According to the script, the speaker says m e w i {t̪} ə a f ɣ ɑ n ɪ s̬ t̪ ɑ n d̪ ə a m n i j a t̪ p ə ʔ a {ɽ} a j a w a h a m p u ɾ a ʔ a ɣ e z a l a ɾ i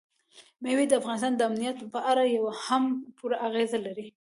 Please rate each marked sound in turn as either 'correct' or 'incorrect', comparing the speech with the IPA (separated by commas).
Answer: incorrect, incorrect